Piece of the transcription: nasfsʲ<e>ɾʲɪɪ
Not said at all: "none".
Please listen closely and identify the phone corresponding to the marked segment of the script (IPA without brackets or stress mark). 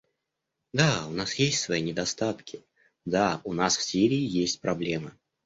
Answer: i